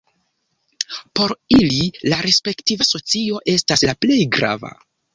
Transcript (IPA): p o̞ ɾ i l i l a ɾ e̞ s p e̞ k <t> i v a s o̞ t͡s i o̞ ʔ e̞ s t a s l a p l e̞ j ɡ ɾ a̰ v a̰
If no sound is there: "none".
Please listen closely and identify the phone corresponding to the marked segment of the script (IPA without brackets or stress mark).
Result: t